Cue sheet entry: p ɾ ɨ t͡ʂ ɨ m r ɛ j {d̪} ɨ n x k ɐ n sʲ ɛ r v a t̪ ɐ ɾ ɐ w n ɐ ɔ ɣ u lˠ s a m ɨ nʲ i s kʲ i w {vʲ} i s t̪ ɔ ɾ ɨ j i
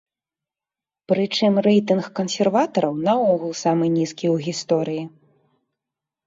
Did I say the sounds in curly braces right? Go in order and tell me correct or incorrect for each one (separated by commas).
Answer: incorrect, incorrect